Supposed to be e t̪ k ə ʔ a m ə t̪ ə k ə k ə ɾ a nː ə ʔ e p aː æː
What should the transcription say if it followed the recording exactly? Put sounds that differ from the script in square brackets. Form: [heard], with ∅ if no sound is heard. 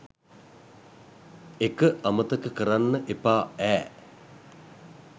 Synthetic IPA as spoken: e [∅] k ə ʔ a m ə t̪ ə k ə k ə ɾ a nː ə ʔ e p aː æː